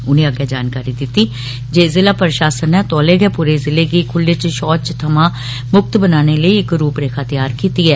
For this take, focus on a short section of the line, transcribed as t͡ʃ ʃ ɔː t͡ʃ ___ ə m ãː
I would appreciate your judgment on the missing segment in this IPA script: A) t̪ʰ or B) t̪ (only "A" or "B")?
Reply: A